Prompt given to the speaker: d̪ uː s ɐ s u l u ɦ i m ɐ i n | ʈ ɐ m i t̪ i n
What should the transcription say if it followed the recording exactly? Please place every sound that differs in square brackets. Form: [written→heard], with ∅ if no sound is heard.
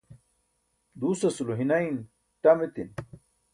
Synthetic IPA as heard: d̪ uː s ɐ s u l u ɦ i [m→n] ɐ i n | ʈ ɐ m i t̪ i n